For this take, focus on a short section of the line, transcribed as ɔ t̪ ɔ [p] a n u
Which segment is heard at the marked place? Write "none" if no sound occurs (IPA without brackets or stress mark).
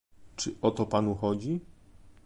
p